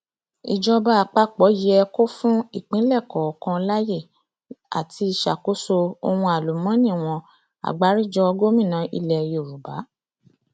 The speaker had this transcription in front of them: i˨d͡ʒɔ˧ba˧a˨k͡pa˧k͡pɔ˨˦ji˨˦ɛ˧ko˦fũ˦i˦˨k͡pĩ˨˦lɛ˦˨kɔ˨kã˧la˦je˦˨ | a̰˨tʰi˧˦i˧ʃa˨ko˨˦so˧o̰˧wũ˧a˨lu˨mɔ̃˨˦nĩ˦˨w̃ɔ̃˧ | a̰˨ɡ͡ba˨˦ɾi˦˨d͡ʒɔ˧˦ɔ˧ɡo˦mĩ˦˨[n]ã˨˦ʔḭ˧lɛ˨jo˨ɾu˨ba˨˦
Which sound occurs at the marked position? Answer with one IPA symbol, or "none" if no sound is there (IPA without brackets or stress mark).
n